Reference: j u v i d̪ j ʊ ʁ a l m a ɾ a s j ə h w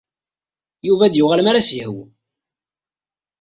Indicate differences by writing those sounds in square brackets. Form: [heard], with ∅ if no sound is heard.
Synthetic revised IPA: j u v [æ] d̪ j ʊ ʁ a l m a ɾ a s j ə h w